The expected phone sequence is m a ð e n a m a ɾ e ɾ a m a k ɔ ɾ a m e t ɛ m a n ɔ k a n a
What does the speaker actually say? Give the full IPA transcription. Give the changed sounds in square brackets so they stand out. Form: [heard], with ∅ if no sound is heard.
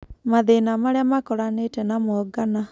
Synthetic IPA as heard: m a ð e n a m a ɾ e [∅] a m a k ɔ ɾ a [n] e t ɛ [n] a [m] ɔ [ɡ] a n a